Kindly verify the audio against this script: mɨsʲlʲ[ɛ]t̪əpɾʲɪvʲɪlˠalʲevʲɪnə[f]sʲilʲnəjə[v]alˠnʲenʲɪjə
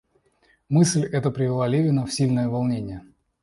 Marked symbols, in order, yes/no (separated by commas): yes, yes, yes